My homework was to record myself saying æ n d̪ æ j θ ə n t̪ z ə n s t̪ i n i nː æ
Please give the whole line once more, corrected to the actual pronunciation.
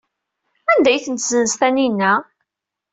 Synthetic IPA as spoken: æ n d̪ æ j θ ə n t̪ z ə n s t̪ æ n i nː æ